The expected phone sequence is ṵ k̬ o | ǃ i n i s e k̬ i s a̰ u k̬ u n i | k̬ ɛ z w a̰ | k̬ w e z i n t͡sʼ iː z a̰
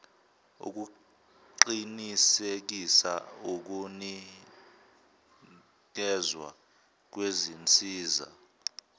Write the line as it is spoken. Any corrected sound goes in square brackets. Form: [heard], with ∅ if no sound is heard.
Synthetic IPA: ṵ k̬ [u] | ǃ i n i s e k̬ i s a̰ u k̬ u n i | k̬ ɛ z w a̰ | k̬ w e z i n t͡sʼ iː z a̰

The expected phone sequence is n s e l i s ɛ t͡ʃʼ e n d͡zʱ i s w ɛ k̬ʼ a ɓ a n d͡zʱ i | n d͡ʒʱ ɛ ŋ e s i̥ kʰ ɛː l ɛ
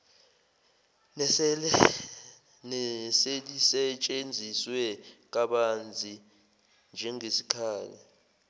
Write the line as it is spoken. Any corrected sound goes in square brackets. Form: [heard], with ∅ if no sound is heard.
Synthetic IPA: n s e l i s ɛ t͡ʃʼ e n d͡zʱ i s w ɛ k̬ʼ a ɓ a n d͡zʱ i | n d͡ʒʱ ɛ ŋ e s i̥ kʰ [aː] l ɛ

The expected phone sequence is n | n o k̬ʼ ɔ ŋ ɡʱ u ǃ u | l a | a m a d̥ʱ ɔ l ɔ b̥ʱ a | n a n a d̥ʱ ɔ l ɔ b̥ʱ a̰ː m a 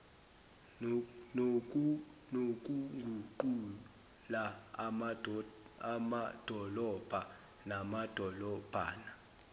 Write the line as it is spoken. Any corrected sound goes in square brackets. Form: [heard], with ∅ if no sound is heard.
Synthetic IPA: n | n o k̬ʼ [u] ŋ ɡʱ u ǃ u | l a | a m a d̥ʱ ɔ l ɔ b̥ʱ a | n a [m] a d̥ʱ ɔ l ɔ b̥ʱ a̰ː [n] a

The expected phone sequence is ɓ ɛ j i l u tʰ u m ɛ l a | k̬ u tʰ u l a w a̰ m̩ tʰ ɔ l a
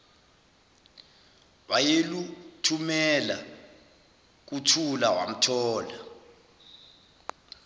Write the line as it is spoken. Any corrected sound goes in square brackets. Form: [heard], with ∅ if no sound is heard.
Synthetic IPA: ɓ [a] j [e] l u tʰ u m ɛ l a | k̬ u tʰ u l a w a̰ m̩ tʰ [ɔː] l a

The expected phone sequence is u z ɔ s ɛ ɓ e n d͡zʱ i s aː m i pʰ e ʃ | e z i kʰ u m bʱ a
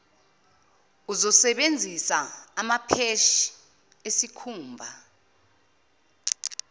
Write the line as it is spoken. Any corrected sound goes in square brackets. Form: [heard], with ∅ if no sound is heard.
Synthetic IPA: u z ɔ s ɛ ɓ e n d͡zʱ i s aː m [a] pʰ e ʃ | e [s] i kʰ [uː] m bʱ a

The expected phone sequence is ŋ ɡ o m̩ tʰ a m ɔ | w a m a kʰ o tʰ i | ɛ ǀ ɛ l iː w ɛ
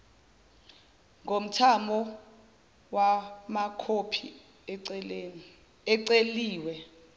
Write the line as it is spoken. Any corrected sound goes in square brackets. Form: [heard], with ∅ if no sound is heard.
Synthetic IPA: ŋ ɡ o m̩ tʰ a m ɔ | w a m a kʰ o [pʰ] i | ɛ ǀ [e] l iː w ɛ

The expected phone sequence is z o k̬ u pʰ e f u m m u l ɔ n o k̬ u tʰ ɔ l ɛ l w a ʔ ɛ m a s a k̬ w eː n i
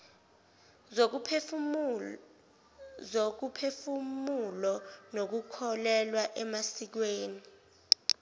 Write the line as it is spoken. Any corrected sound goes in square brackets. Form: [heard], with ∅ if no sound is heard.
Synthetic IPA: z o k̬ u pʰ e f u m m u l ɔ n o k̬ u [kʰ] ɔ l ɛ l w a ʔ ɛ m a s [i] k̬ w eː n i

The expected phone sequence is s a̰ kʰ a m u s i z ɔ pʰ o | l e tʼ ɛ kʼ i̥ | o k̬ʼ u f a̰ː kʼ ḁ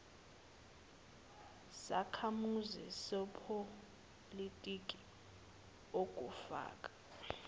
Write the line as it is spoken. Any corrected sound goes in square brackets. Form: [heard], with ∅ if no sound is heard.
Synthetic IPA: s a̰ kʰ a m u [z] i [s] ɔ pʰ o | l [i] tʼ [i] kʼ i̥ | o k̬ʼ u f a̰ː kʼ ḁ

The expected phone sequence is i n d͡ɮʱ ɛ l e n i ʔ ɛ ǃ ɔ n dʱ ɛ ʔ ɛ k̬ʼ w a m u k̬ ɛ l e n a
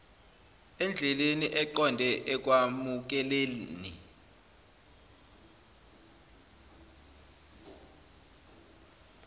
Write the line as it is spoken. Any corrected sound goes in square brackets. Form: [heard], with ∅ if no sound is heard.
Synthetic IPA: [ɛ] n d͡ɮʱ ɛ l e n i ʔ ɛ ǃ ɔ n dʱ ɛ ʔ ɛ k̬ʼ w a m u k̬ ɛ l e n [i]

